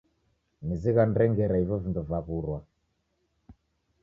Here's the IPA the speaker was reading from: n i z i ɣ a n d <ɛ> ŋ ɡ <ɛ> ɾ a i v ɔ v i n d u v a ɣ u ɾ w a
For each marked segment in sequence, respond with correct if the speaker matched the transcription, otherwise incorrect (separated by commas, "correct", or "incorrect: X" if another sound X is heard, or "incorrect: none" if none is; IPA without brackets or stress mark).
correct, correct